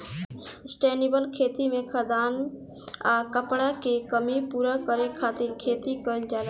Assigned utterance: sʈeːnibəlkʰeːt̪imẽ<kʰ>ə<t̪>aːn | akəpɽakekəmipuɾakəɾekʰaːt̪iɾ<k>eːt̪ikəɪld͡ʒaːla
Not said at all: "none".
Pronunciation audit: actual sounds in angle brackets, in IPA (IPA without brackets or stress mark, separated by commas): kʰ, d̪, kʰ